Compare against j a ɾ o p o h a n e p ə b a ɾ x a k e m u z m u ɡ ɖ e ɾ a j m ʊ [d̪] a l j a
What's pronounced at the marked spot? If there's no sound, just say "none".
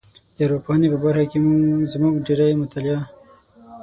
t̪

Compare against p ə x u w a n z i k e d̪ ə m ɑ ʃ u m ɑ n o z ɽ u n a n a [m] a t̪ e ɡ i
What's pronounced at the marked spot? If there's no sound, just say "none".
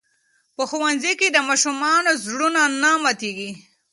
m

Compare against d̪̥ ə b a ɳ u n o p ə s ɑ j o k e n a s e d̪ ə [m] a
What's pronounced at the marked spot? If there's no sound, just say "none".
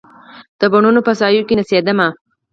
m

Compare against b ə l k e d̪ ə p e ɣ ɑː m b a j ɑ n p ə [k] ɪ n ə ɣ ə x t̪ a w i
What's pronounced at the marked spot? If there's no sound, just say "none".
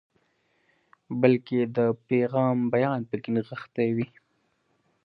k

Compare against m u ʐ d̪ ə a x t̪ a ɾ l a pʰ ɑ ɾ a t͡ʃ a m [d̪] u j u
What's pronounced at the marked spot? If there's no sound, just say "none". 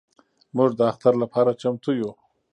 t̪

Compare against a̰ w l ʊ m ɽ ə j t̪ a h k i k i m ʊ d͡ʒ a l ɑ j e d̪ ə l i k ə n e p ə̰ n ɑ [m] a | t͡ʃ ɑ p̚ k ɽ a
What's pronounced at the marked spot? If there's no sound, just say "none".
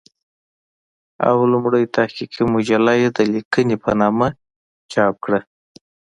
m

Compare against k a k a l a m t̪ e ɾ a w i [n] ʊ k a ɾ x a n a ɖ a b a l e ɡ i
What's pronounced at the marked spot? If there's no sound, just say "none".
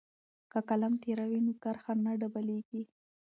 n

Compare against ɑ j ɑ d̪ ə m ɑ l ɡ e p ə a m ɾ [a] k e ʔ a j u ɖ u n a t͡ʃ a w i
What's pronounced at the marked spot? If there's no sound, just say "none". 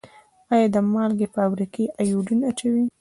i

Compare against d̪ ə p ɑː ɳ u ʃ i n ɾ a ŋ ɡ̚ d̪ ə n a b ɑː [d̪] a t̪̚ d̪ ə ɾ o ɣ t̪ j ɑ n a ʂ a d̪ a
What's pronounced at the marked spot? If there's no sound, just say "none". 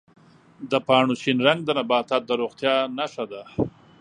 t̪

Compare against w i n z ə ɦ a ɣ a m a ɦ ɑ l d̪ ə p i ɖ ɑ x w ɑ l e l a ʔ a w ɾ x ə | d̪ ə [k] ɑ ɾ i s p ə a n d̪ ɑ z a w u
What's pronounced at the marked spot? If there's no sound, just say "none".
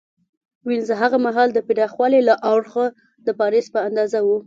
p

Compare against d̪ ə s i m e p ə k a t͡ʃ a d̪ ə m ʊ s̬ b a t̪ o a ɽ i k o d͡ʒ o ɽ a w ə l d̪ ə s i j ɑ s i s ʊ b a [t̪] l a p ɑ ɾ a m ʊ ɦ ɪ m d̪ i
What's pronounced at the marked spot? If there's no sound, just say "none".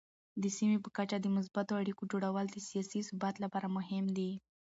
t̪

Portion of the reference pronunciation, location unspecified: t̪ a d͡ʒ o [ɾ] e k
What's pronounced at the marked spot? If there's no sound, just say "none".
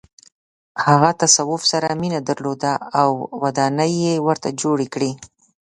ɽ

